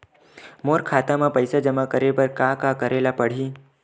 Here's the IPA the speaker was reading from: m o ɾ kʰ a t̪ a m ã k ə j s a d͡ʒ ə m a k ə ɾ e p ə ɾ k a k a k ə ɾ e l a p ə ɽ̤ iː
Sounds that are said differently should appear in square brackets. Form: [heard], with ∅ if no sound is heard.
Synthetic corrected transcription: m o ɾ kʰ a t̪ a m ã [p] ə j s a d͡ʒ ə m a k ə ɾ e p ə ɾ k a k a k ə ɾ e l a p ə ɽ̤ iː